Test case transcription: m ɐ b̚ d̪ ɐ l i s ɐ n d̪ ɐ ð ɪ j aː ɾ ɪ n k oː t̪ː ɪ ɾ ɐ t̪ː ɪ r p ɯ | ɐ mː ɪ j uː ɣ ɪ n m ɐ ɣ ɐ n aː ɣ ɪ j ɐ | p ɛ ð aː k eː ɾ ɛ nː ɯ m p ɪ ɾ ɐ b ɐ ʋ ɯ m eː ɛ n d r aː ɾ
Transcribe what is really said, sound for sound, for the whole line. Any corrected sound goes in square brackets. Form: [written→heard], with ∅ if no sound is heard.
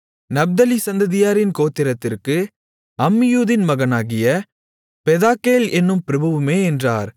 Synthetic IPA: [m→n] ɐ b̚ d̪ ɐ l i s ɐ n d̪ ɐ ð ɪ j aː ɾ ɪ n k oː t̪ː ɪ ɾ ɐ t̪ː ɪ r [p→k] ɯ | ɐ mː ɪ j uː [ɣ→ð] ɪ n m ɐ ɣ ɐ n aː ɣ ɪ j ɐ | p ɛ ð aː k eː [ɾ→l] ɛ nː ɯ m p ɪ ɾ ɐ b ɐ ʋ ɯ m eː ɛ n d r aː ɾ